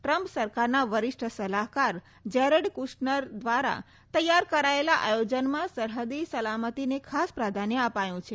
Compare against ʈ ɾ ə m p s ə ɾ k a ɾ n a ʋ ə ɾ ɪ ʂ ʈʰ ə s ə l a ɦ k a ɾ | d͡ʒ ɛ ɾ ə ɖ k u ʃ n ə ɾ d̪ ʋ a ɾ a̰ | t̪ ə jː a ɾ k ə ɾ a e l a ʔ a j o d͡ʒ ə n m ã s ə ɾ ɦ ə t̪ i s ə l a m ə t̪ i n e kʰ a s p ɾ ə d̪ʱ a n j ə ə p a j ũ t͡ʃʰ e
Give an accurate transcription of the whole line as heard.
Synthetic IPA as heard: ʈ ɾ ə m p s ə ɾ k a ɾ n a ʋ ə ɾ ɪ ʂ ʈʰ ə s ə l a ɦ k a ɾ | d͡ʒ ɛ ɾ ə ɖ k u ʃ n ə ɾ d̪ ʋ a ɾ a̰ | t̪ ə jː a ɾ k ə ɾ a e l a ʔ a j o d͡ʒ ə n m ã s ə ɾ ɦ ə d̪ i s ə l a m ə t̪ i n e kʰ a s p ɾ a d̪ʱ a n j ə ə p a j ũ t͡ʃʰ e